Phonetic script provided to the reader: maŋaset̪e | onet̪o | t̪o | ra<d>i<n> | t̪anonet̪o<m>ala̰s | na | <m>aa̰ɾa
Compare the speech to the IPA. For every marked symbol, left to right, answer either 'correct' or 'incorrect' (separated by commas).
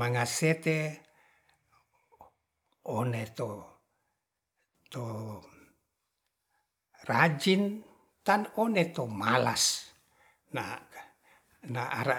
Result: incorrect, correct, correct, incorrect